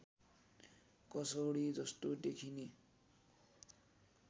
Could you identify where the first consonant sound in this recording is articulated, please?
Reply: velar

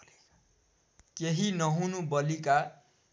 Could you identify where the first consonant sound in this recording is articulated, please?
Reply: velar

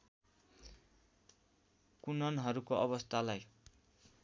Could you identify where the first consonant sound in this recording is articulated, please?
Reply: velar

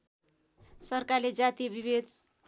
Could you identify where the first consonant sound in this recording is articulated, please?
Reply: alveolar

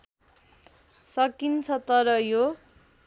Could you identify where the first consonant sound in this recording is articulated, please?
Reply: alveolar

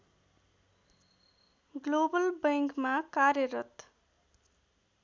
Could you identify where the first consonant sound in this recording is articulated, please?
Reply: velar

